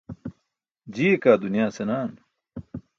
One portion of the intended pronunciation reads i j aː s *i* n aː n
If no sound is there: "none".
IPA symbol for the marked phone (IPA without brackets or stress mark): e